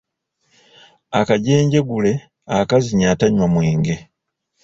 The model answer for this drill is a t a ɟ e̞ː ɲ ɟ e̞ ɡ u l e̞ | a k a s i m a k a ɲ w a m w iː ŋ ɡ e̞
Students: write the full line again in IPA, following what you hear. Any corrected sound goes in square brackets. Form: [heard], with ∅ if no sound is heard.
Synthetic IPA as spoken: a [k] a ɟ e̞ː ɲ ɟ e̞ ɡ u l e̞ | a k a [z] i [ɲ] a [t] a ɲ w a m w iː ŋ ɡ e̞